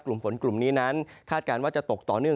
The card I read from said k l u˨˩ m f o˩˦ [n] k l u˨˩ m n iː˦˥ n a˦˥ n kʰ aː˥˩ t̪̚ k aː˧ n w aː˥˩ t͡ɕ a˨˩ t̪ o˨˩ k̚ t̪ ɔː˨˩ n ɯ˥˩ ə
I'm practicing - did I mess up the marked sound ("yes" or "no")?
no